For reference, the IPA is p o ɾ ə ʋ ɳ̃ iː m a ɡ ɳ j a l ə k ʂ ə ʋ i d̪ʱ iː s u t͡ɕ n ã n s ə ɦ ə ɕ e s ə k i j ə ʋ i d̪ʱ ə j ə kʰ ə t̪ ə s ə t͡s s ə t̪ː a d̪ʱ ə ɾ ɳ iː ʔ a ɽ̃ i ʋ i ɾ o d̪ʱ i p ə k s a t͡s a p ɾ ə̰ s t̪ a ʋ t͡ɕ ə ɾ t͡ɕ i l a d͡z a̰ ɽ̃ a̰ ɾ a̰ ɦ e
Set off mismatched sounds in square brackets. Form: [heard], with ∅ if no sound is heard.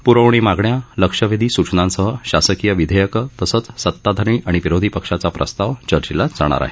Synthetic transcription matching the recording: p [u] ɾ ə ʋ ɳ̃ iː m a ɡ ɳ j a l ə k ʂ ə ʋ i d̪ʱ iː s u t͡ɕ n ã n s ə ɦ ə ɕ [a] s ə k i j ə ʋ i d̪ʱ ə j ə [k] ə t̪ ə s ə t͡s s ə t̪ː a d̪ʱ ə ɾ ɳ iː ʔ a ɽ̃ i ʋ i ɾ o d̪ʱ i p ə k [ʂ] a t͡s a p ɾ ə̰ s t̪ a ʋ t͡ɕ ə ɾ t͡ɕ i l a d͡z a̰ ɽ̃ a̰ ɾ a̰ ɦ e